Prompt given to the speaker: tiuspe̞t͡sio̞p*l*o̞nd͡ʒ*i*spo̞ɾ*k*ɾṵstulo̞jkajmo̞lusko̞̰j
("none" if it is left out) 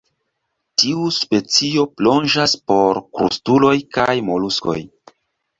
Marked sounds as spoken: l, a, k

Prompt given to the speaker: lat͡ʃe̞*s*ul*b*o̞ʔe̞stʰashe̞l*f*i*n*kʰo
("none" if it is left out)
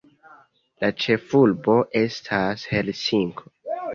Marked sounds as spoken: f, b, s, ŋ

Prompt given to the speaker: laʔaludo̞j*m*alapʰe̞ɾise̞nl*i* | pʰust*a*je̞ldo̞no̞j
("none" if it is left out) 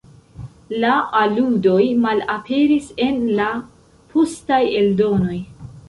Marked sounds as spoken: m, a, a

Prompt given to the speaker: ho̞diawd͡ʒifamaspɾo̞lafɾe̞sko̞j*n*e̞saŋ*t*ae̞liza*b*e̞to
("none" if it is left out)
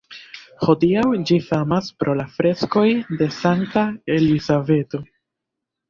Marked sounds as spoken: d, t, v

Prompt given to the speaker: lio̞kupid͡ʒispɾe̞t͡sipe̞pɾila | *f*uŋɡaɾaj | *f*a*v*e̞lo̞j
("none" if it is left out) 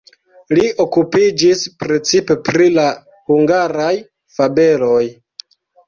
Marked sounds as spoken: h, f, b

